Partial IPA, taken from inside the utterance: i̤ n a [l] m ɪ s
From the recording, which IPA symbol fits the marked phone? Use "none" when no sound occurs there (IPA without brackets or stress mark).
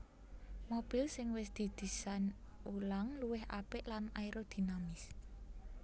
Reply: none